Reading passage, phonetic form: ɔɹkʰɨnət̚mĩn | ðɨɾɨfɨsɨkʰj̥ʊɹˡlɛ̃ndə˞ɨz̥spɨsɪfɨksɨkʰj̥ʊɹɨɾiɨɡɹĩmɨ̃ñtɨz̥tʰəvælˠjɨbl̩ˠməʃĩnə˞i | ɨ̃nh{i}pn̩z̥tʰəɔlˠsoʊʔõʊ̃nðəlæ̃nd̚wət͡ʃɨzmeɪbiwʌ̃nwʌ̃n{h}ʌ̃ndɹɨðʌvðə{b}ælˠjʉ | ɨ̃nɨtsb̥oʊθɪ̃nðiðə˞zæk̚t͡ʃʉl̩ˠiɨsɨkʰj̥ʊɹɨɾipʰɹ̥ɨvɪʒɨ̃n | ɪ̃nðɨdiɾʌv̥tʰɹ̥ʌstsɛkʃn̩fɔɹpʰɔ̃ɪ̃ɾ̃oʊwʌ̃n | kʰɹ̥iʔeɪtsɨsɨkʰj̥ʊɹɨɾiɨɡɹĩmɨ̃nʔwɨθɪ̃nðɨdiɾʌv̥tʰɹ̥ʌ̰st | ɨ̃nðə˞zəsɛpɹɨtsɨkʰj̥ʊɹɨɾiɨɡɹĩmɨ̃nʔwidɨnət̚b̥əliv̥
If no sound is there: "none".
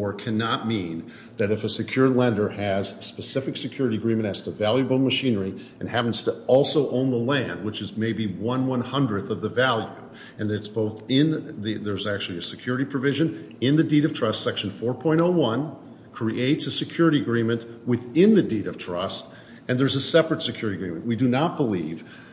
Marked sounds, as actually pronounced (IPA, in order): æ, h, v

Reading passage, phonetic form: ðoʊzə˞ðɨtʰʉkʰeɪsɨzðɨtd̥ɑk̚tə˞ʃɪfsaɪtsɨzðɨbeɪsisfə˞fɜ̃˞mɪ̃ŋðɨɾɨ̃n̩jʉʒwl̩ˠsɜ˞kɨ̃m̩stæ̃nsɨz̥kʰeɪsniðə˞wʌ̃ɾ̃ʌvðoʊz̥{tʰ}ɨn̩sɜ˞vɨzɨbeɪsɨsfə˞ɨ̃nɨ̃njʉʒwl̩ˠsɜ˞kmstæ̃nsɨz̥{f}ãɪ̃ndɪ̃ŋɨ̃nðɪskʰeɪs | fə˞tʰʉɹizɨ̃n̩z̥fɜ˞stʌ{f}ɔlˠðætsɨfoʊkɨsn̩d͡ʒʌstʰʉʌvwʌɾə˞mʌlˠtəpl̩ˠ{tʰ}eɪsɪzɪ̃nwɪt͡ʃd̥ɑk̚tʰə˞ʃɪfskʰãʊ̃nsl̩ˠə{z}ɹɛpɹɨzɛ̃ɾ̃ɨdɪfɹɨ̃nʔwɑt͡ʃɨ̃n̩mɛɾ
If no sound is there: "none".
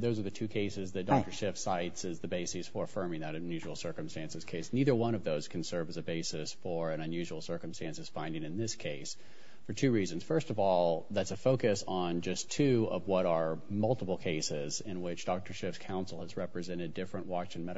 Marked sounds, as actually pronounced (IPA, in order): kʰ, f, v, kʰ, z

